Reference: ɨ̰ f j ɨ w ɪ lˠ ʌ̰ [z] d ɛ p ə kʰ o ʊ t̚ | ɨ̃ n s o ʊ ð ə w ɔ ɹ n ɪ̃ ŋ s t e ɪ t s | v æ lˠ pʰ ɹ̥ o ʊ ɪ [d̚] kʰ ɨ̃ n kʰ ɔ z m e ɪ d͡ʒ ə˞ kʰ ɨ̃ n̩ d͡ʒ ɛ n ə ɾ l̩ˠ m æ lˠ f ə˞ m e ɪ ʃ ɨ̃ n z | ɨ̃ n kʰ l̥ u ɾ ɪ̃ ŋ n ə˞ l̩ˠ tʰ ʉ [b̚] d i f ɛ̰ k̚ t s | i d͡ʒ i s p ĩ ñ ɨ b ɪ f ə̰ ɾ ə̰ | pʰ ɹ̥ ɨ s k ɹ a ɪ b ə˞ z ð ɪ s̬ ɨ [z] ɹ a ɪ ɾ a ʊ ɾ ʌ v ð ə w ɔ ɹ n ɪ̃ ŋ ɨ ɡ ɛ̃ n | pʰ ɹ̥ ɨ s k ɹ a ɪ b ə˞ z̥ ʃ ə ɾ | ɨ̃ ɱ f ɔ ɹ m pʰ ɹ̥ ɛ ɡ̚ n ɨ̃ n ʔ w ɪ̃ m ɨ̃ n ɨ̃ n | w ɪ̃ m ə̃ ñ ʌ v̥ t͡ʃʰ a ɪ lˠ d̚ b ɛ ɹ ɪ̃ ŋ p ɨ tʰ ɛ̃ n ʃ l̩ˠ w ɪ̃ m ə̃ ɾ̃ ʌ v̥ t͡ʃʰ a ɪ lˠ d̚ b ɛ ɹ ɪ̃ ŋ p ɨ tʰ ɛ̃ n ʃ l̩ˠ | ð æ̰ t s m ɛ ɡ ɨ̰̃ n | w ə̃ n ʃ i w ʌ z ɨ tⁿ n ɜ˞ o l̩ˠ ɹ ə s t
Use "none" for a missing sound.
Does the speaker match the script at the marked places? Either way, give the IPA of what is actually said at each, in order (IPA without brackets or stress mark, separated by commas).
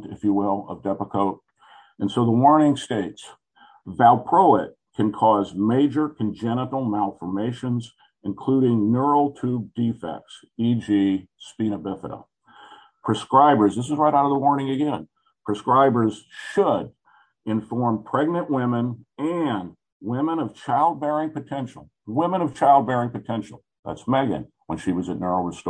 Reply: v, t̚, b̚, z